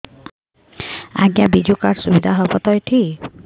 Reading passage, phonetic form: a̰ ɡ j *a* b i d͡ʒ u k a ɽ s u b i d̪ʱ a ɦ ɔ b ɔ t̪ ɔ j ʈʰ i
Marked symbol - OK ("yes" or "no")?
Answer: yes